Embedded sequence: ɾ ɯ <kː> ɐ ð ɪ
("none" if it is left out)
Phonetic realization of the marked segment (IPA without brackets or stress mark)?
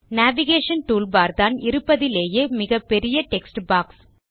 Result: pː